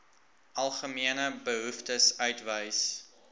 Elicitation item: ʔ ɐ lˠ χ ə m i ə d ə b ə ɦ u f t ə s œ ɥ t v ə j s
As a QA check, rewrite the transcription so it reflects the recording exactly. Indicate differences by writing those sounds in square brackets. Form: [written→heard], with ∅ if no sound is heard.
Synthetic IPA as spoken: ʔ ɐ lˠ χ ə m i ə [d→n] ə b ə ɦ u f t ə s œ ɥ t v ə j s